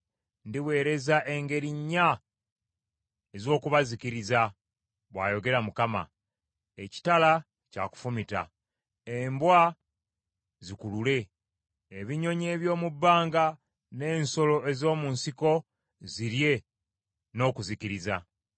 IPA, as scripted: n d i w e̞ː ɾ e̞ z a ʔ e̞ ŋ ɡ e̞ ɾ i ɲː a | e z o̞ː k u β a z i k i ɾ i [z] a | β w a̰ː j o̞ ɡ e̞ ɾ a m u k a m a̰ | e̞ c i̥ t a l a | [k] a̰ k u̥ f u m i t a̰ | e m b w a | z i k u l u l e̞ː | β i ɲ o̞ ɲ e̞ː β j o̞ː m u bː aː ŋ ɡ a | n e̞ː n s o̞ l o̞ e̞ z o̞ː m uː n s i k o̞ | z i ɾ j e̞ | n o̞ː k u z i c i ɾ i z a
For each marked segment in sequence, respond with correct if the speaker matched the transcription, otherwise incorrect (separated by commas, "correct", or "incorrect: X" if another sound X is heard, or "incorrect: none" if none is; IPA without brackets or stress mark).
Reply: correct, incorrect: c